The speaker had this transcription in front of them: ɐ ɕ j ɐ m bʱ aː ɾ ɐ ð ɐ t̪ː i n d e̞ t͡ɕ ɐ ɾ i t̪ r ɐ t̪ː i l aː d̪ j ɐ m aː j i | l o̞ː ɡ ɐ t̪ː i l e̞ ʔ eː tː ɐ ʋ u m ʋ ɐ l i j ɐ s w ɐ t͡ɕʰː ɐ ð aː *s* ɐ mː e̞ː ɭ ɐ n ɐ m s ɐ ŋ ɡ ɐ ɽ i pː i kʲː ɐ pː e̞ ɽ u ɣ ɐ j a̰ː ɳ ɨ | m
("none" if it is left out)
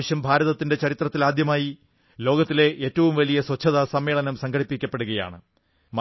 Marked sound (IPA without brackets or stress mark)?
s